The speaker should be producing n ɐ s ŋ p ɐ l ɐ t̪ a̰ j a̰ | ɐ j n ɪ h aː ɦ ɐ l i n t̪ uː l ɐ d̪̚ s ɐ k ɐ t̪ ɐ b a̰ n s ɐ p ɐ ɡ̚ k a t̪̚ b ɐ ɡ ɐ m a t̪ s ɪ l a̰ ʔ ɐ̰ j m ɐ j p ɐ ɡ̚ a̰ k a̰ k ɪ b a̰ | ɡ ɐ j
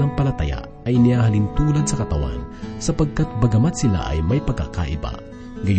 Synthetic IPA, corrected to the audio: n ɐ ŋ p ɐ l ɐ t̪ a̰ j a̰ | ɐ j n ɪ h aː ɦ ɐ l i n t̪ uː l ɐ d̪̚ s ɐ k ɐ t̪ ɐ w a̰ n s ɐ p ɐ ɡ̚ k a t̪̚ b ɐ ɡ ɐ m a t̪ s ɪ l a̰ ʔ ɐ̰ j m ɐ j p ɐ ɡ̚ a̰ k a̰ ʔ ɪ b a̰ | ɡ ɐ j